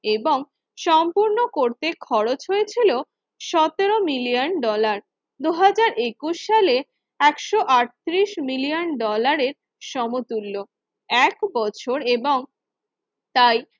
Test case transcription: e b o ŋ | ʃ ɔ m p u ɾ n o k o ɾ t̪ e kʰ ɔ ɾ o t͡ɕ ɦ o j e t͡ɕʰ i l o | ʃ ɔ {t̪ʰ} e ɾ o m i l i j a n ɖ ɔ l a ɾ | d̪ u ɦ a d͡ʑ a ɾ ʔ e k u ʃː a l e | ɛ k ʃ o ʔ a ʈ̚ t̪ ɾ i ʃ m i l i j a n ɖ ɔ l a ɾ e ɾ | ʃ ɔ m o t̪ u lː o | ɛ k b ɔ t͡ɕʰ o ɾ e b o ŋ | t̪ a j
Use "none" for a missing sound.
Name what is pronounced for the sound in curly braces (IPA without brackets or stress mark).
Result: t̪